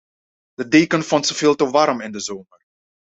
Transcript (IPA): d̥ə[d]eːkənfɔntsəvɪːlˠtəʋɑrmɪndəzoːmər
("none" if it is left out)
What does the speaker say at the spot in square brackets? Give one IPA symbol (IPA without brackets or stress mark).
d